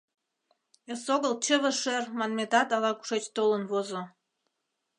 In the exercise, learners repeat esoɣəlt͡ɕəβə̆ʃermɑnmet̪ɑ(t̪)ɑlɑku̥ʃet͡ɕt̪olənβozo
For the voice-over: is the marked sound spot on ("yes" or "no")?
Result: yes